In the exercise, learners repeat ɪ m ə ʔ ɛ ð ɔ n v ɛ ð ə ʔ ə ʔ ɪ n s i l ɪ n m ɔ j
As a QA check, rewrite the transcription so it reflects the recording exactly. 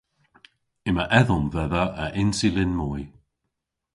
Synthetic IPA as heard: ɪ m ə ʔ ɛ ð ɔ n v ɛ ð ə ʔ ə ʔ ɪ n s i l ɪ n m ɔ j